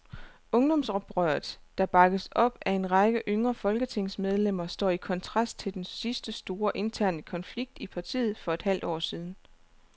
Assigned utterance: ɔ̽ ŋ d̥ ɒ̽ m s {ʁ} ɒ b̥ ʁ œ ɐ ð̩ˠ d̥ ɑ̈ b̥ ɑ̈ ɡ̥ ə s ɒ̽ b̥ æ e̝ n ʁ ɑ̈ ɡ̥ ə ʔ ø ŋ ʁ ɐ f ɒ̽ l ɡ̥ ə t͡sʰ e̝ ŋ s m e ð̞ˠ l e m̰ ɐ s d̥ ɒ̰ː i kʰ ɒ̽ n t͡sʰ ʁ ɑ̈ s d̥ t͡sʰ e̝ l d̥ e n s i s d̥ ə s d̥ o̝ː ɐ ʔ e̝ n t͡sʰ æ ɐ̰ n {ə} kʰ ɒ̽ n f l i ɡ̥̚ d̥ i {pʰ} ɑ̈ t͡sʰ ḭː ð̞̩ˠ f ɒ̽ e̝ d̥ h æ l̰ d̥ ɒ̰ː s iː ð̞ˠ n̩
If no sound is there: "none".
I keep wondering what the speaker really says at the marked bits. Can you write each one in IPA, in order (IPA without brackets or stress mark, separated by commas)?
ʁ, ə, pʰ